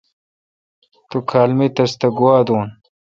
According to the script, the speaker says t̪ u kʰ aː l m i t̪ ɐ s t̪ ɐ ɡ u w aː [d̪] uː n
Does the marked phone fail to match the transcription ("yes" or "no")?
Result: no